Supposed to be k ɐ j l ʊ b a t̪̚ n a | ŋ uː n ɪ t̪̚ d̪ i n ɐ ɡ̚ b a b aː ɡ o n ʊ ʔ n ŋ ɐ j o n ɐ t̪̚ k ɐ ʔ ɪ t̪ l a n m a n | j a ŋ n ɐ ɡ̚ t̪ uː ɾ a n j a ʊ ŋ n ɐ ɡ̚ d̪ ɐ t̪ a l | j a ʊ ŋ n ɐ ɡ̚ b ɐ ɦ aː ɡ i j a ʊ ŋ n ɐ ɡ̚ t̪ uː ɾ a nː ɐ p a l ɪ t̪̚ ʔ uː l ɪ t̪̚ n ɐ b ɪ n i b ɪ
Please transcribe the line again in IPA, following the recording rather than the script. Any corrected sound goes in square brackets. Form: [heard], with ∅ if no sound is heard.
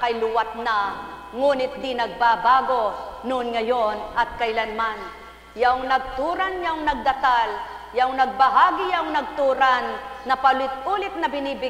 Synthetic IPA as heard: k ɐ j l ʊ [w] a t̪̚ n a | ŋ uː n ɪ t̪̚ d̪ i n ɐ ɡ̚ b a b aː ɡ o n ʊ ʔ n ŋ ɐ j o n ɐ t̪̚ k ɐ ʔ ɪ [∅] l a n m a n | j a ŋ n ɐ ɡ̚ t̪ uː ɾ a n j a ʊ ŋ n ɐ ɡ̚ d̪ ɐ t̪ a l | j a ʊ ŋ n ɐ ɡ̚ b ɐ ɦ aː ɡ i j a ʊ ŋ n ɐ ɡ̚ t̪ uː ɾ a nː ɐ p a l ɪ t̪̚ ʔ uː l ɪ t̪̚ n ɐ b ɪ n i b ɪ

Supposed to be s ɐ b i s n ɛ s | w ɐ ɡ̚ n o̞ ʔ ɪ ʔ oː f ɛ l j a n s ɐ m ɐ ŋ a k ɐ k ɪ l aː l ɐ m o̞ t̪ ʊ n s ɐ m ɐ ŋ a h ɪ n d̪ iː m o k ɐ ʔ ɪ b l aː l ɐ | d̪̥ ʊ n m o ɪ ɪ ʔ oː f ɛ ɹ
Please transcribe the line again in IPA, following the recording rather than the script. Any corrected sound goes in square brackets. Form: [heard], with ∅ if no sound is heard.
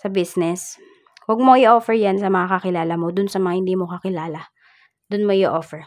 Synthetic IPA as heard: s ɐ b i s n ɛ s | w ɐ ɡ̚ [m] o̞ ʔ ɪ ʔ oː f ɛ [ɹ] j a n s ɐ m ɐ ŋ a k ɐ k ɪ l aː l ɐ m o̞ [d̪] ʊ n s ɐ m ɐ ŋ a h ɪ n d̪ iː m o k ɐ [k] ɪ [∅] l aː l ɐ | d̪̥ ʊ n m o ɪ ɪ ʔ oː f ɛ ɹ

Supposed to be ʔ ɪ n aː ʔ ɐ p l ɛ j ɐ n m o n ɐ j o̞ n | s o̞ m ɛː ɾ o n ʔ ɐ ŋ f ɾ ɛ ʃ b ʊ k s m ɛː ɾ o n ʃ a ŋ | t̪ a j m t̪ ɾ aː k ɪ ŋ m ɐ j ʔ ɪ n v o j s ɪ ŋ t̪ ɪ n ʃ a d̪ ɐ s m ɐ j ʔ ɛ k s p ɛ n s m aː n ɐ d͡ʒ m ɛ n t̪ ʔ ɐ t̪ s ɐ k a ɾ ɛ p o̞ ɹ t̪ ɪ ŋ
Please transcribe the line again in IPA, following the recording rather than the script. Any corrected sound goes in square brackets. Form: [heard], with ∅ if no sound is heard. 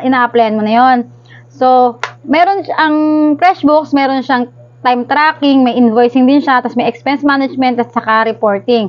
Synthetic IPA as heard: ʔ ɪ n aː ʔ ɐ p l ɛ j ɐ n m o n ɐ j o̞ n | s o̞ m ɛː ɾ o n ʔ ɐ ŋ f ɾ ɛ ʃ b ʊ k s m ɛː ɾ o n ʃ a ŋ | t̪ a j m t̪ ɾ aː k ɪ ŋ m ɐ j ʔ ɪ n v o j s ɪ ŋ [d̪] ɪ n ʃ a [t̪] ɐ s m ɐ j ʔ ɛ k s p ɛ n s m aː n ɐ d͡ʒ m ɛ n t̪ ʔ ɐ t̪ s ɐ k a ɾ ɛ p o̞ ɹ t̪ ɪ ŋ

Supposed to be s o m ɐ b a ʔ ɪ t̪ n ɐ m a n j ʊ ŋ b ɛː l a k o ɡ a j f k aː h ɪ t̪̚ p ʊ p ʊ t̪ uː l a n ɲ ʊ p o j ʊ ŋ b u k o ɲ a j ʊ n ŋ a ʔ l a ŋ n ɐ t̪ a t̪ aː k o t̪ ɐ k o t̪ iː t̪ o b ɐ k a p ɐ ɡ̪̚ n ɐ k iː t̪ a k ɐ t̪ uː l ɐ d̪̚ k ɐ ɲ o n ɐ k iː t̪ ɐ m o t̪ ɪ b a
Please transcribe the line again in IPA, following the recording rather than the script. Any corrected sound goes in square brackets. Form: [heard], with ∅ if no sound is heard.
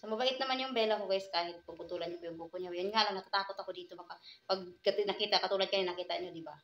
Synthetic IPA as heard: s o m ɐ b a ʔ ɪ t̪ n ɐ m a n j ʊ ŋ b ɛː l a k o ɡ a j [s] k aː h ɪ t̪̚ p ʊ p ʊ t̪ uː l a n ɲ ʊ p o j ʊ ŋ b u k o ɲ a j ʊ n ŋ a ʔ l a ŋ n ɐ t̪ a t̪ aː k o t̪ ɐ k o [d̪] iː t̪ o b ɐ k a p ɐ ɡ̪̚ n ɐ k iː t̪ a k ɐ t̪ uː l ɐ d̪̚ k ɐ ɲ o n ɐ k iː t̪ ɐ [ɲ] o [d̪] ɪ b a

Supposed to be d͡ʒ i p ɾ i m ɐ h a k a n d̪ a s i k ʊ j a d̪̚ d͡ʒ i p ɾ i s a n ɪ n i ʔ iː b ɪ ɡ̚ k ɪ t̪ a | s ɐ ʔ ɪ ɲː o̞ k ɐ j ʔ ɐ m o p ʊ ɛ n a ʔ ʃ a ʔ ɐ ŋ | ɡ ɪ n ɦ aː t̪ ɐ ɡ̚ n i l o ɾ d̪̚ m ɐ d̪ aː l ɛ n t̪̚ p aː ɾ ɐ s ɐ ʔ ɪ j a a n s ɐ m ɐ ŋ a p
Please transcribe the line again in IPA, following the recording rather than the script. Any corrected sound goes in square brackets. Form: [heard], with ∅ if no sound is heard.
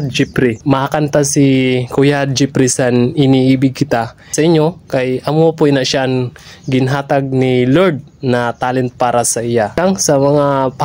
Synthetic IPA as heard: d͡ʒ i p ɾ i m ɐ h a k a n [t̪] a s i k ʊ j a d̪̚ d͡ʒ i p ɾ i s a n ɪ n i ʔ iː b ɪ ɡ̚ k ɪ t̪ a | s ɐ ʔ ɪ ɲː o̞ k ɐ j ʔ ɐ m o p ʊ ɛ n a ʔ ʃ a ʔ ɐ ŋ | ɡ ɪ n ɦ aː t̪ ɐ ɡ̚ n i l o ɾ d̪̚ [n] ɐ [t̪] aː l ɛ n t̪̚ p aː ɾ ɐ s ɐ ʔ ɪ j a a [ŋ] s ɐ m ɐ ŋ a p

